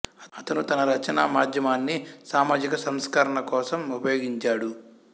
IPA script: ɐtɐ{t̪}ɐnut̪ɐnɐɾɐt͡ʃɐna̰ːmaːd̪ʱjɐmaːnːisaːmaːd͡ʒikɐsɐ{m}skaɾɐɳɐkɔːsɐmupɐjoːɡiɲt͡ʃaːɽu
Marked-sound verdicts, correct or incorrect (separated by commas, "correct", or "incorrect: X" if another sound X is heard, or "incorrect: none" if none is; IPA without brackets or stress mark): correct, correct